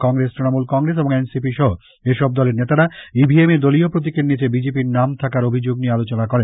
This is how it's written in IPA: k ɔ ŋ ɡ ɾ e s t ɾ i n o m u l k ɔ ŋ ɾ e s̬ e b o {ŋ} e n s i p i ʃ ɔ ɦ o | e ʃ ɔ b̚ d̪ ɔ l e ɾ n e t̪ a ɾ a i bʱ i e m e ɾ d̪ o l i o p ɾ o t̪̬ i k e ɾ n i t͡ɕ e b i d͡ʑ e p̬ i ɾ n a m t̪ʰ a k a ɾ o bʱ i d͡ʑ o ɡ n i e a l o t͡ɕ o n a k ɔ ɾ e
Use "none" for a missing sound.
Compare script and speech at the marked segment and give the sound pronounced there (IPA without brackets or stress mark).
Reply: ŋ